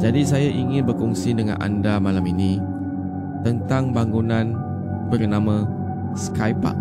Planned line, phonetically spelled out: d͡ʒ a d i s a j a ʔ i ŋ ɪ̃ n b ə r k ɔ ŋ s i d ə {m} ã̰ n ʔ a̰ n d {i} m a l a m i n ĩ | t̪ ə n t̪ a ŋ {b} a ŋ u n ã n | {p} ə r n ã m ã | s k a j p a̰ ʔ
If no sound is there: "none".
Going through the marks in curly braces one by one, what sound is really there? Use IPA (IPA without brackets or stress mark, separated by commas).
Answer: ŋ, a, b, b